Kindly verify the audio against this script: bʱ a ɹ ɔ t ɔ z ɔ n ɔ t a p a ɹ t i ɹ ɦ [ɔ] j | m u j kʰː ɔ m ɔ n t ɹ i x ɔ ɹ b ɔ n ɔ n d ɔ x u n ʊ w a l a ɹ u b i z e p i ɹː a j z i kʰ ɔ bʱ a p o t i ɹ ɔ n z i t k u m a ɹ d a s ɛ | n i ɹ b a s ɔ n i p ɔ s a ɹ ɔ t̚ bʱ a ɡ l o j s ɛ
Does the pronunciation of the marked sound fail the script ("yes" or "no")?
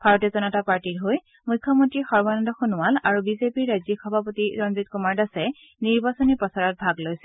yes